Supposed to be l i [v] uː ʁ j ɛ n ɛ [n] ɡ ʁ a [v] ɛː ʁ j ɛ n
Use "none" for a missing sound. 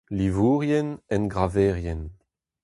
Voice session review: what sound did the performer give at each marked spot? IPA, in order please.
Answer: v, n, v

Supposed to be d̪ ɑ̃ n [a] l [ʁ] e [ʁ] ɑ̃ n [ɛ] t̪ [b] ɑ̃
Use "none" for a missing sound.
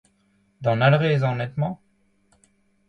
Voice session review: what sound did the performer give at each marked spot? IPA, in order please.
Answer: a, ʁ, z, ɛ, m

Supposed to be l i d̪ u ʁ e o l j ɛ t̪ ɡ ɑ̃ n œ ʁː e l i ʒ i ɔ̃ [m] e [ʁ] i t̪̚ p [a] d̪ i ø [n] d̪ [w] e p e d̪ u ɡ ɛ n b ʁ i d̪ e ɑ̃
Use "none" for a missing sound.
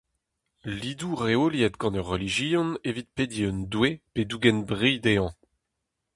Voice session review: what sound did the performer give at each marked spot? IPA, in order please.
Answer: n, v, e, n, w

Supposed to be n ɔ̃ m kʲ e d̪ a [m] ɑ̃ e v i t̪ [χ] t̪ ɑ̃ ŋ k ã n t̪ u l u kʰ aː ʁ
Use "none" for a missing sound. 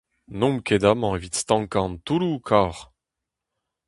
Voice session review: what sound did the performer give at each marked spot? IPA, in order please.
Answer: m, s

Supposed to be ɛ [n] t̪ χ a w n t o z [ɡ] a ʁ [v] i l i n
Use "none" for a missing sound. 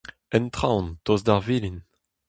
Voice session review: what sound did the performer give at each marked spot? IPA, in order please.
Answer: n, d, v

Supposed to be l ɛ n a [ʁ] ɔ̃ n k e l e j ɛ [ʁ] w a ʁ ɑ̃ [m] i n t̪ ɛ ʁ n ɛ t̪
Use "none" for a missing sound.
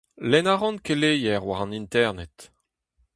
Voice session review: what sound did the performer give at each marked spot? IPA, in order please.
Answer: ʁ, ʁ, n

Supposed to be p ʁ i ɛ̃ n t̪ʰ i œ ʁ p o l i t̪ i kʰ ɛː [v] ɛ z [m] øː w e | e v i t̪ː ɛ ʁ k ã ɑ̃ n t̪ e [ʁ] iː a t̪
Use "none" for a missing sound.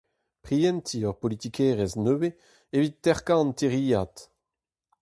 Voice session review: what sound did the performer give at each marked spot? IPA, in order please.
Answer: ʁ, n, ʁ

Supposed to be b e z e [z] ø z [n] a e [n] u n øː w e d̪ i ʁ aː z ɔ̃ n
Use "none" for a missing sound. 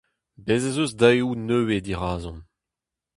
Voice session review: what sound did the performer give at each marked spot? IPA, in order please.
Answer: z, d, none

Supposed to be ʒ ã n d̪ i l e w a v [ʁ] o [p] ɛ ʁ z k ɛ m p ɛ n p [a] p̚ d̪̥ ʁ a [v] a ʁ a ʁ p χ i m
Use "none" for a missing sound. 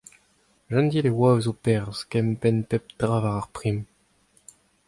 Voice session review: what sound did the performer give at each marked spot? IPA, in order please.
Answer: z, p, ɛ, v

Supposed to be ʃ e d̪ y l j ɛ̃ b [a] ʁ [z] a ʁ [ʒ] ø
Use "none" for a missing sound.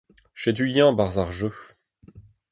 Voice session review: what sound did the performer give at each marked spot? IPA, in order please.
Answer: a, z, ʒ

